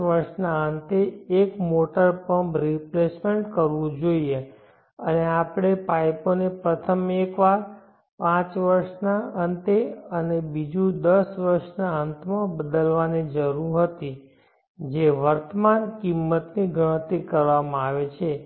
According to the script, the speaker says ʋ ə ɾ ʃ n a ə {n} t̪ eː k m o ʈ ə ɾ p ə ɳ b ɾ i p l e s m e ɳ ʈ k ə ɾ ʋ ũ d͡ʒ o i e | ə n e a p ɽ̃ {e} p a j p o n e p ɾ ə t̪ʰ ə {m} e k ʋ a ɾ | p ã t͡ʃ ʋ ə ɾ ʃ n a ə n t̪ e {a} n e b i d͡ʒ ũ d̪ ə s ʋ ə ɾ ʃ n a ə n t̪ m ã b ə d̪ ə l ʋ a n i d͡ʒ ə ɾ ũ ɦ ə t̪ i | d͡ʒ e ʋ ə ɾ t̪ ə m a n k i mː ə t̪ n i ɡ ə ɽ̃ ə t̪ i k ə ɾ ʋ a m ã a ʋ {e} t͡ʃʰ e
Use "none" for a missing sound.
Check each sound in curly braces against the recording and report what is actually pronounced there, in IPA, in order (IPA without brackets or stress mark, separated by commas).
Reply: n, e, m, ə, e